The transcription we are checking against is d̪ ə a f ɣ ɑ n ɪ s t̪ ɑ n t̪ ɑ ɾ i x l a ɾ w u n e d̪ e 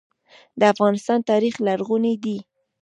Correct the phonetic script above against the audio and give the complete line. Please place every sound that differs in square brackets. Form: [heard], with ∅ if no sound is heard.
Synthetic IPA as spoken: d̪ ə a f ɣ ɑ n ɪ s t̪ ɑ n t̪ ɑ ɾ i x l a ɾ [ɣ] u n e d̪ [i]